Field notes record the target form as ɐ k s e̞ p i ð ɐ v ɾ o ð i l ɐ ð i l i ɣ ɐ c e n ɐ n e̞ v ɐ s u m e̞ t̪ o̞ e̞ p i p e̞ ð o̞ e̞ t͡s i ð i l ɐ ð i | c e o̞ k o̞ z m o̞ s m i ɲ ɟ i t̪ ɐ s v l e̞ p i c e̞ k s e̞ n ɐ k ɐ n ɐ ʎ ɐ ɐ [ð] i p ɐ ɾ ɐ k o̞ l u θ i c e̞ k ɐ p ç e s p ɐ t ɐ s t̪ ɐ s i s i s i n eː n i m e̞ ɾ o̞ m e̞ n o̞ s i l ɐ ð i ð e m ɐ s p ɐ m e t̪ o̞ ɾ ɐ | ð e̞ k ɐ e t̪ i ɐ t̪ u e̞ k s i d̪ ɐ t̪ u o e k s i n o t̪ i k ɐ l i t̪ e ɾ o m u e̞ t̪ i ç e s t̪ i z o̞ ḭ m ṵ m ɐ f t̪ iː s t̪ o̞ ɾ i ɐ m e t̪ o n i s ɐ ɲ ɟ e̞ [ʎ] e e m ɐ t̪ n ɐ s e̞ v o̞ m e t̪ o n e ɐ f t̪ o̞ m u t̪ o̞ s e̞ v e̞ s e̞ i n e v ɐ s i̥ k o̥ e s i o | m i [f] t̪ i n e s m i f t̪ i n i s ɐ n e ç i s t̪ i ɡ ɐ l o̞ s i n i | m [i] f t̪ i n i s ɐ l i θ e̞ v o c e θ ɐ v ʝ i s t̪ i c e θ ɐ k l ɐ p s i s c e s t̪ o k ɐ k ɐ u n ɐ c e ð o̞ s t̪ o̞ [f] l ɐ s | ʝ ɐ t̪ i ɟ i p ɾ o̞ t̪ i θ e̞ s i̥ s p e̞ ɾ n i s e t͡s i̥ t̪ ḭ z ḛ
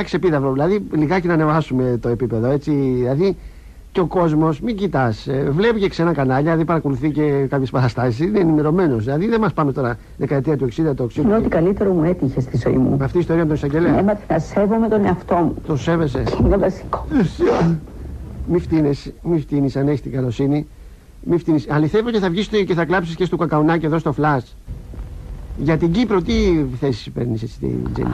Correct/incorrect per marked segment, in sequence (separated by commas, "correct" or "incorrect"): correct, incorrect, correct, correct, correct